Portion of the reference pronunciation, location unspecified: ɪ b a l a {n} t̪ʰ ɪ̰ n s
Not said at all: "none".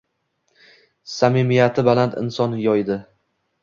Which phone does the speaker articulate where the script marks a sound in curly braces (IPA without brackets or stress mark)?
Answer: n